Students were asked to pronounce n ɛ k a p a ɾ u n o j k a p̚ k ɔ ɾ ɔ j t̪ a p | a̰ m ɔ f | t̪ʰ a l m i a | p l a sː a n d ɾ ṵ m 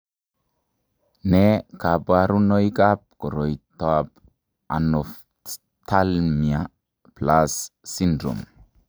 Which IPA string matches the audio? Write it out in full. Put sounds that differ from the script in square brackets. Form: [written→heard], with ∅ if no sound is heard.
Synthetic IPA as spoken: n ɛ k a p a ɾ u n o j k a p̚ k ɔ ɾ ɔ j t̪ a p | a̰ [m→n] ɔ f | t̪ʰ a l m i a | p l a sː [a→i] n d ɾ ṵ m